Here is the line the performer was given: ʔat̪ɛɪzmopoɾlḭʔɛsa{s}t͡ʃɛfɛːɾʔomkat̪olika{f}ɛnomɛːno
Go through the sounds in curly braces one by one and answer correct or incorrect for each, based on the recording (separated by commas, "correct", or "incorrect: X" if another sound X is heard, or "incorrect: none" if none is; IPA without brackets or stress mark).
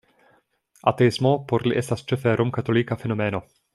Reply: correct, correct